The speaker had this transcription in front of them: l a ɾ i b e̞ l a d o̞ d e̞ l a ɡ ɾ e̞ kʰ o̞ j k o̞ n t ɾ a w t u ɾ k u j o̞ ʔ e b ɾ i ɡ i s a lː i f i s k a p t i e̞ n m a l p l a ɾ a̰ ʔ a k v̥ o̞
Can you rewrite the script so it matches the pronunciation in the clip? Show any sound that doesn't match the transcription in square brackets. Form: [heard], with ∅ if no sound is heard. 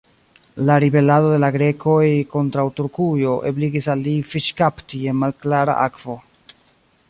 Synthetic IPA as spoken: l a ɾ i b e̞ l a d o̞ d e̞ l a ɡ ɾ e̞ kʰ o̞ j k o̞ n t ɾ a w t u ɾ k u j o̞ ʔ e b [l] i ɡ i s a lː i f i [ʃ] k a p t i e̞ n m a l [k] l a ɾ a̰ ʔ a k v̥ o̞